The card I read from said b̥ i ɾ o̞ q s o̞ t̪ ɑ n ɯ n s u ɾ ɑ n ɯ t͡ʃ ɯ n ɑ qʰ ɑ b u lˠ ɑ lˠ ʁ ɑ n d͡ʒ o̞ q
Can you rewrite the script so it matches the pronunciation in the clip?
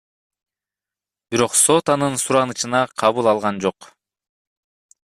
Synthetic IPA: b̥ i ɾ o̞ q s o̞ t̪ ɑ n ɯ n s u ɾ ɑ n ɯ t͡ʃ ɯ n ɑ qʰ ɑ β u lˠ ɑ lˠ ʁ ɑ n d͡ʒ o̞ q